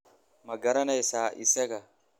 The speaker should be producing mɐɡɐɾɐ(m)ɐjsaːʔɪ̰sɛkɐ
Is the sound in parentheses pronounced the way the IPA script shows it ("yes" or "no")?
no